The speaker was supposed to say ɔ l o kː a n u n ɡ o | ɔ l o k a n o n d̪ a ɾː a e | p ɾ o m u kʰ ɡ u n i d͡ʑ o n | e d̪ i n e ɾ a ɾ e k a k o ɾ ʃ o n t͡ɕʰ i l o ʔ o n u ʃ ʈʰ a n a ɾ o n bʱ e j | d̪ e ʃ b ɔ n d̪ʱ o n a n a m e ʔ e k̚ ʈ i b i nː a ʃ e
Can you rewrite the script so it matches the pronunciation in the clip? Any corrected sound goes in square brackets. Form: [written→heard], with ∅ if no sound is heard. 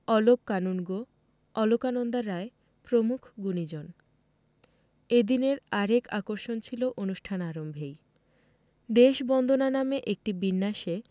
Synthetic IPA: ɔ l o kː a n u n ɡ o | ɔ l o k a n o n d̪ a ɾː a e | p ɾ o m u kʰ ɡ u n i d͡ʑ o n | e d̪ i n e ɾ a ɾ e k a k o ɾ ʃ o n t͡ɕʰ i l o ʔ o n u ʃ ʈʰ a n a ɾ o [n→m] bʱ e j | d̪ e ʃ b ɔ n d̪ʱ o n a n a m e ʔ e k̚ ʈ i b i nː a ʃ e

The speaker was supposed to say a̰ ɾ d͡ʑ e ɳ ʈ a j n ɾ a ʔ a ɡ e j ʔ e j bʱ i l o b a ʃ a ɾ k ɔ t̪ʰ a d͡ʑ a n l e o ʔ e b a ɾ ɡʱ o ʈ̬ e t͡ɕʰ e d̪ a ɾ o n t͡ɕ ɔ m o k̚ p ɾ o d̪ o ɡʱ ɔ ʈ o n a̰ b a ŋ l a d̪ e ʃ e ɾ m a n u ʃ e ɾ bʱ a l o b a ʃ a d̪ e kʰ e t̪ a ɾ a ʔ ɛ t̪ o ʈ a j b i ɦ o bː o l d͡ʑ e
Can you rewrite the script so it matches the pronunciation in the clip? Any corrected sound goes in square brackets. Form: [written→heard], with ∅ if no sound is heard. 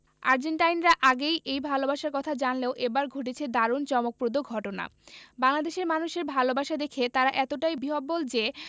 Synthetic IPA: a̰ ɾ d͡ʑ e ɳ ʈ a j n ɾ a ʔ a ɡ e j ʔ e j bʱ [i→a] l o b a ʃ a ɾ k ɔ t̪ʰ a d͡ʑ a n l e o ʔ e b a ɾ ɡʱ o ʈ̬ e t͡ɕʰ e d̪ a ɾ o n t͡ɕ ɔ m o k̚ p ɾ o d̪ o ɡʱ ɔ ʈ o n a̰ b a ŋ l a d̪ e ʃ e ɾ m a n u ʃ e ɾ bʱ a l o b a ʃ a d̪ e kʰ e t̪ a ɾ a ʔ ɛ t̪ o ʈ a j b i ɦ o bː o l d͡ʑ e

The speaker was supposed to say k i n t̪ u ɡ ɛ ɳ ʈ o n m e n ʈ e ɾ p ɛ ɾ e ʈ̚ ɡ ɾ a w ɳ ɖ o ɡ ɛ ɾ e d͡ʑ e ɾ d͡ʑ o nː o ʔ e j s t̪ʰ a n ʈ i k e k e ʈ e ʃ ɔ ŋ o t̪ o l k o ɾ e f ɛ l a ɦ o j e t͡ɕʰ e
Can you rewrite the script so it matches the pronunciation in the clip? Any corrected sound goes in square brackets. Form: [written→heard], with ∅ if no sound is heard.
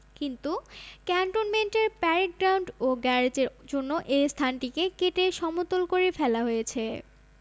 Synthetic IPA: k i n t̪ u [ɡ→k] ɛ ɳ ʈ o n m e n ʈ e ɾ p ɛ ɾ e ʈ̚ ɡ ɾ a w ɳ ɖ o ɡ ɛ ɾ e d͡ʑ e ɾ d͡ʑ o nː o ʔ e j s t̪ʰ a n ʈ i k e k e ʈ e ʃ ɔ [ŋ→m] o t̪ o l k o ɾ e f ɛ l a ɦ o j e t͡ɕʰ e

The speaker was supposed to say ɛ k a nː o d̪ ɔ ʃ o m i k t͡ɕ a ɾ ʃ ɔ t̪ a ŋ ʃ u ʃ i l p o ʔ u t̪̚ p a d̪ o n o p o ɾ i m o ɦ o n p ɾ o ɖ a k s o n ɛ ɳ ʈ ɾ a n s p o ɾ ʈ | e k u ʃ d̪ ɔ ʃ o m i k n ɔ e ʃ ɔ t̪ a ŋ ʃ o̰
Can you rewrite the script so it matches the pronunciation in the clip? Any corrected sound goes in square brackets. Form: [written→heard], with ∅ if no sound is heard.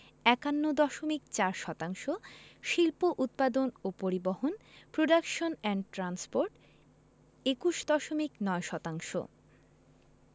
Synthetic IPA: ɛ k a nː o d̪ ɔ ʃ o m i k t͡ɕ a ɾ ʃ ɔ t̪ a ŋ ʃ [u→o] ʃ i l p o ʔ u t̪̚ p a d̪ o n o p o ɾ i [m→b] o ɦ o n p ɾ o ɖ a k [s→ʃ] o n ɛ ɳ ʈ ɾ a n s p o ɾ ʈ | e k u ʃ d̪ ɔ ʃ o m i k n ɔ e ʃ ɔ t̪ a ŋ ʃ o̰

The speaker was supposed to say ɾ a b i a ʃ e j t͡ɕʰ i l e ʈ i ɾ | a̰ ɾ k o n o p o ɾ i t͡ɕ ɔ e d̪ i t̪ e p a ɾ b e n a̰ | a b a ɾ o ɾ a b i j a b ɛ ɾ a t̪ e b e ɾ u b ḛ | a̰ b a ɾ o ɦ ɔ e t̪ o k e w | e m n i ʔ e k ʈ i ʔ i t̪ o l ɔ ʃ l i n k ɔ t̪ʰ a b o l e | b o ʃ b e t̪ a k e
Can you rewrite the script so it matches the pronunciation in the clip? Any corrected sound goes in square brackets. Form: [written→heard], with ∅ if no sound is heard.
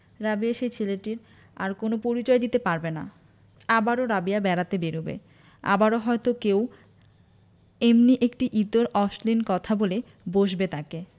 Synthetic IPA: ɾ a b i a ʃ e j t͡ɕʰ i l e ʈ i ɾ | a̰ ɾ k o n o p o ɾ i t͡ɕ ɔ e d̪ i t̪ e p a ɾ b e n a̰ | a b a ɾ o ɾ a b i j a b ɛ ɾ a t̪ e b e ɾ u b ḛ | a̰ b a ɾ o ɦ ɔ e t̪ o k e w | e m n i ʔ e k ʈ i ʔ i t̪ o [l→ɾ] ɔ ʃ l i n k ɔ t̪ʰ a b o l e | b o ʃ b e t̪ a k e

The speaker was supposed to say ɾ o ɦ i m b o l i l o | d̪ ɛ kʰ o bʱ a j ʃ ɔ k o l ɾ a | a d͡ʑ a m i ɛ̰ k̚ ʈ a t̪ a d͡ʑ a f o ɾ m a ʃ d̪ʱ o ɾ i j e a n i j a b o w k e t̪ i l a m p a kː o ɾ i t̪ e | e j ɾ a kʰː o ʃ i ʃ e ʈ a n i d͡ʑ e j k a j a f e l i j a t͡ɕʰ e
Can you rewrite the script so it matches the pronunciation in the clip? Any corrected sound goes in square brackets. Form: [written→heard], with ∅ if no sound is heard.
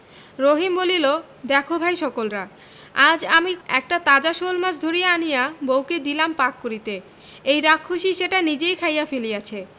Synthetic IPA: ɾ o ɦ i m b o l i l o | d̪ ɛ kʰ o bʱ a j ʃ ɔ k o l ɾ a | a d͡ʑ a m i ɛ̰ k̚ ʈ a t̪ a d͡ʑ a [f→ʃ] o [ɾ→l] m a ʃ d̪ʱ o ɾ i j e a n i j a b o w k e [t̪→d̪] i l a m p a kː o ɾ i t̪ e | e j ɾ a kʰː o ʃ i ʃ e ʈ a n i d͡ʑ e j [k→kʰ] a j a f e l i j a t͡ɕʰ e

